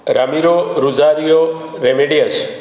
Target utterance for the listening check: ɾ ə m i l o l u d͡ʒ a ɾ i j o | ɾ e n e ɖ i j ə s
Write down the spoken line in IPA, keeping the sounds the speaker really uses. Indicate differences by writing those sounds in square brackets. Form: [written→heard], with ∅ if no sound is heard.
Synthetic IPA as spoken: ɾ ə m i [l→ɾ] o [l→ɾ] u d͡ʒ a ɾ i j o | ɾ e [n→m] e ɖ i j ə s

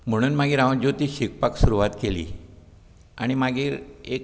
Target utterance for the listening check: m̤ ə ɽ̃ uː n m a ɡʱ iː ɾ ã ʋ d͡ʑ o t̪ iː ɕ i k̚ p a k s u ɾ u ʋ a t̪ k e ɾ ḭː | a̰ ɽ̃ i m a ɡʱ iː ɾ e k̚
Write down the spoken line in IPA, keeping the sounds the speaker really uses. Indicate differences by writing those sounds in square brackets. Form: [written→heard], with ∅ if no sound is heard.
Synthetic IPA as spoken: m̤ ə ɽ̃ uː n m a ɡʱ iː ɾ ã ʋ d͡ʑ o t̪ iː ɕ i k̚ p a k s u ɾ u ʋ a t̪ k e [ɾ→l] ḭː | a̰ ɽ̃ i m a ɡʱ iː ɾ e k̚

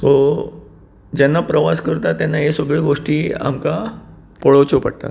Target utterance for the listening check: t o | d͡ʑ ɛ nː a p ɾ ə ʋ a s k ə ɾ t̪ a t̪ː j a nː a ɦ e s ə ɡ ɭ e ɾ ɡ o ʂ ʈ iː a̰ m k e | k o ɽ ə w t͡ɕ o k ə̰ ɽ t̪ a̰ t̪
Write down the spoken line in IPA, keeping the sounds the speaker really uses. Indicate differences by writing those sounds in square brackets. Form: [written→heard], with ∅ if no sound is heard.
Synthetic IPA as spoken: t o | d͡ʑ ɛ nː a p ɾ ə ʋ a s k ə ɾ t̪ a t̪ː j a nː a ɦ e s ə ɡ ɭ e [ɾ→∅] ɡ o ʂ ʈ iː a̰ m k [e→a] | [k→p] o [ɽ→ɭ] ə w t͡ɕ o [k→p] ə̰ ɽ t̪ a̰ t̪

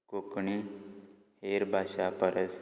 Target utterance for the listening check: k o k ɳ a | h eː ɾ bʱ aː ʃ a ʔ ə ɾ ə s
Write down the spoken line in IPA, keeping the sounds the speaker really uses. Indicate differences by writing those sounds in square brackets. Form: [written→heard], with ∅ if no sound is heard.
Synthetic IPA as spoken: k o k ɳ [a→i] | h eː ɾ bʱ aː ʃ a [ʔ→p] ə ɾ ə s

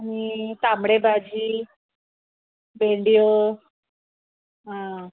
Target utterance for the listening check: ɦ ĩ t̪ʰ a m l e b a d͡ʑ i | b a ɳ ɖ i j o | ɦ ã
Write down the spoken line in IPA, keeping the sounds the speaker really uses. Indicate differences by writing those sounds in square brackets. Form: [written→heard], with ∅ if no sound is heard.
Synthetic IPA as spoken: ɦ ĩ [t̪ʰ→t̪] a m [l→ɽ] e b a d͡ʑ i | b [a→e] ɳ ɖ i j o | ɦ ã

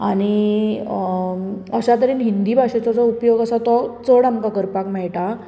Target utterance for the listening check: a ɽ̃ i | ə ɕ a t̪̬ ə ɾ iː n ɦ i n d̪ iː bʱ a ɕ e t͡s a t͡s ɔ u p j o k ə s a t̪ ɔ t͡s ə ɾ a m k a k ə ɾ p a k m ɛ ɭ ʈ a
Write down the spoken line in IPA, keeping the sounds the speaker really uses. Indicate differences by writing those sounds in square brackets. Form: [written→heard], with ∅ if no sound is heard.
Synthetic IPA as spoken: a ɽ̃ i | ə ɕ a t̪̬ ə ɾ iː n ɦ i n d̪ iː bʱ a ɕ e t͡s a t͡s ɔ u p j o [k→ɡ] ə s a t̪ ɔ t͡s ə [ɾ→ɽ] a m k a k ə ɾ p a k m ɛ ɭ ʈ a

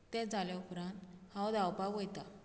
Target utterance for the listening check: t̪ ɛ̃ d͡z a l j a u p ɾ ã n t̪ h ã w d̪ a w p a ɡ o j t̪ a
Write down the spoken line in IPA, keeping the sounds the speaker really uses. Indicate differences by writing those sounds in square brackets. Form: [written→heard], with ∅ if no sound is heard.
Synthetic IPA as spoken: t̪ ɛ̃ d͡z a l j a u p ɾ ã n t̪ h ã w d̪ a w p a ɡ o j t̪ a

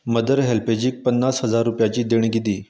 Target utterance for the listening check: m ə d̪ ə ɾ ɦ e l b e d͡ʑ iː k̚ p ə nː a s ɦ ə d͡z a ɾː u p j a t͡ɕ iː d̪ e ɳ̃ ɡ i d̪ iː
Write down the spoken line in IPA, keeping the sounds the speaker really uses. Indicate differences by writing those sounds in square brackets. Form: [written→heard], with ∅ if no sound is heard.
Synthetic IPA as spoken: m ə d̪ ə ɾ ɦ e l [b→p] e d͡ʑ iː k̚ p ə nː a s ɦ ə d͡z a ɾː u p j a t͡ɕ iː d̪ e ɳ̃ ɡ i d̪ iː

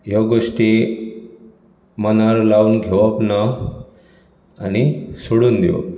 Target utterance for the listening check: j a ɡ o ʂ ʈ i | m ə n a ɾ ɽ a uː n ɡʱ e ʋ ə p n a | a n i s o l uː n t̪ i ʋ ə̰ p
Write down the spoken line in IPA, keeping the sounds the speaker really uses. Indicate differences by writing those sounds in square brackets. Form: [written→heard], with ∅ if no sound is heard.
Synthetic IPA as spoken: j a ɡ o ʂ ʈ i | m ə n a ɾ [ɽ→l] a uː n ɡʱ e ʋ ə p n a | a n i s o [l→ɽ] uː n [t̪→d̪] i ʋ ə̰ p

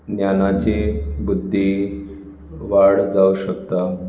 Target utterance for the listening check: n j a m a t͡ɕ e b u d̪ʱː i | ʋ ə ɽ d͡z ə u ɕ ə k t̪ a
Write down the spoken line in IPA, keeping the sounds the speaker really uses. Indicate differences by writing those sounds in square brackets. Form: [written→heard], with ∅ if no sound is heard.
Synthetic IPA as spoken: n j a [m→n] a t͡ɕ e b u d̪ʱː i | ʋ [ə→a] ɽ d͡z [ə→a] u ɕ ə k t̪ a

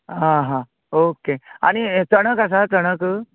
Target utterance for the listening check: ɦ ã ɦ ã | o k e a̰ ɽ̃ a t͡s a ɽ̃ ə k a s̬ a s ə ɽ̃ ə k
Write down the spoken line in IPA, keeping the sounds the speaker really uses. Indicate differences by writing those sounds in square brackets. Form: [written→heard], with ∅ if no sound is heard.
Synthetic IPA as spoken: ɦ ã ɦ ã | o k e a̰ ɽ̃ [a→i] t͡s [a→ə] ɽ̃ ə k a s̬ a [s→t͡s] ə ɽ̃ ə k

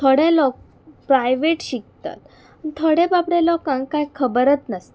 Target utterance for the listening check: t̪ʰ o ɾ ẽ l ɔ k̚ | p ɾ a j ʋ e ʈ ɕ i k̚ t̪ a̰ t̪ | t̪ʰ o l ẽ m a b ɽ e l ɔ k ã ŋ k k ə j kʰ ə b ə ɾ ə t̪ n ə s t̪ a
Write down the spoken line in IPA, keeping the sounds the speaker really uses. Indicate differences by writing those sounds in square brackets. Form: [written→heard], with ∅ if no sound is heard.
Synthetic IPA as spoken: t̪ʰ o [ɾ→ɽ] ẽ l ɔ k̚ | p ɾ a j ʋ e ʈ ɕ i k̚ t̪ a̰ t̪ | t̪ʰ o [l→ɽ] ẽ [m→b] a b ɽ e l ɔ k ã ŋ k k [ə→a] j kʰ ə b ə ɾ ə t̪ n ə s t̪ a

